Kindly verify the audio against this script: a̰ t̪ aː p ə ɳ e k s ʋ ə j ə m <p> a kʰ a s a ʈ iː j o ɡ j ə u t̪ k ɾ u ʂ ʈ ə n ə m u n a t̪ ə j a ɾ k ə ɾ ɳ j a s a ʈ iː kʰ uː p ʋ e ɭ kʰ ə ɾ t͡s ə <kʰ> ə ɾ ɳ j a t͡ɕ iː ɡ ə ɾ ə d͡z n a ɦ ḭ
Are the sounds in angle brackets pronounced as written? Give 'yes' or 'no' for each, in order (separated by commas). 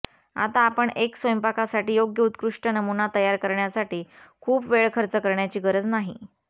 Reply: yes, no